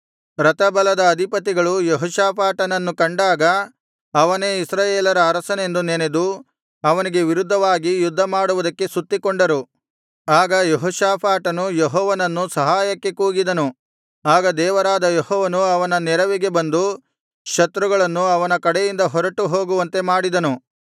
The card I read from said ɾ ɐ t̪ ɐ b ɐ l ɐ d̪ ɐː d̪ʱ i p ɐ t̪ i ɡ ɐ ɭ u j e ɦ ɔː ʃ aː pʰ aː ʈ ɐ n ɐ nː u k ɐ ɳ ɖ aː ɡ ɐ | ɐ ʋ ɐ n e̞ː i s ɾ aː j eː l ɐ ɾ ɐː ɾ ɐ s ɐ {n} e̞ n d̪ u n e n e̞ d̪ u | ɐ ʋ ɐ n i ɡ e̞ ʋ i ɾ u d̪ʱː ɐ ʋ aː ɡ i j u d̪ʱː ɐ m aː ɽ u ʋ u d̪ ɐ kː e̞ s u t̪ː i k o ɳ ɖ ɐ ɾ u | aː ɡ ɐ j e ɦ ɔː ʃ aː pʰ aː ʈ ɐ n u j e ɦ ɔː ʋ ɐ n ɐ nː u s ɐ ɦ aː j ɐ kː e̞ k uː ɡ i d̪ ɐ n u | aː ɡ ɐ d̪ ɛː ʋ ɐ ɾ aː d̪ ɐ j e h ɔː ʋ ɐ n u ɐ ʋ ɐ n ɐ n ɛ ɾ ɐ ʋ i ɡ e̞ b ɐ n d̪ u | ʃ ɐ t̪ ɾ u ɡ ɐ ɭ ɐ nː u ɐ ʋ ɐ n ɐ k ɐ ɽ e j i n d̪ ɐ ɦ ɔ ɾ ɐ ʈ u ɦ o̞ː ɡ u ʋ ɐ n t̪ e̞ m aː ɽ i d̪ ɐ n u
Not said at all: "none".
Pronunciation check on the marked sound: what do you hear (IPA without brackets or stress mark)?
n